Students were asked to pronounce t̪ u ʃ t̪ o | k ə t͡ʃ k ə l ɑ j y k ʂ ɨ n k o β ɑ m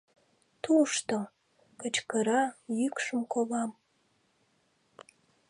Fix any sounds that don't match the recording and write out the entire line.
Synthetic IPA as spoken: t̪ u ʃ t̪ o | k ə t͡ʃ k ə ɾ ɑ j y k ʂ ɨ m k o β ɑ m